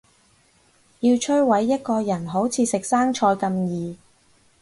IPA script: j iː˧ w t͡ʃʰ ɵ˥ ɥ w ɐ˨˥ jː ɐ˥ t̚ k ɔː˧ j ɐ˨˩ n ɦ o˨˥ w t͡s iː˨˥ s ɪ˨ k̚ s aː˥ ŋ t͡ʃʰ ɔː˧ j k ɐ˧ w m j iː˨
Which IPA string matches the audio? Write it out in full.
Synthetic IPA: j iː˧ w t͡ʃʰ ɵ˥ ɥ w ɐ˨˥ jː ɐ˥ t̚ k ɔː˧ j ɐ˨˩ n ɦ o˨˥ w t͡sʰ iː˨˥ s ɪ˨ k̚ s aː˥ ŋ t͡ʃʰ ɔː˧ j k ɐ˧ m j iː˨